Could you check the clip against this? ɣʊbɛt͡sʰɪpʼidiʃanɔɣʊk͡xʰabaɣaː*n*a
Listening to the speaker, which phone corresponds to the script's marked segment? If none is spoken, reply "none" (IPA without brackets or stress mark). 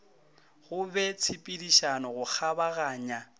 ɲ